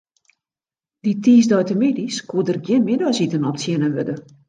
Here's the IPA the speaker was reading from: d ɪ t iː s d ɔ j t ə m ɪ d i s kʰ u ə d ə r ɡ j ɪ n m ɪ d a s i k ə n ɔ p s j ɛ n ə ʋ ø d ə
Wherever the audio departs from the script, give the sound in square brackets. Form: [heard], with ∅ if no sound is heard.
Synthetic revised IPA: d [i] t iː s d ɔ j t ə m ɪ d i s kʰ u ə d ə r ɡ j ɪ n m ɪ d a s i [t] ə n ɔ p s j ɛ n ə ʋ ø d ə